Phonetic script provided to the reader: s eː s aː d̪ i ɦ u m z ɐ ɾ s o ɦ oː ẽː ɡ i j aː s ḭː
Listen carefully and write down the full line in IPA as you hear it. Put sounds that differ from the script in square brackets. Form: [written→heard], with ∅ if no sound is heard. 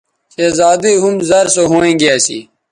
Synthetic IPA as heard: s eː [s→z] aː d̪ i ɦ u m z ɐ ɾ s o ɦ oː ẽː ɡ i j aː s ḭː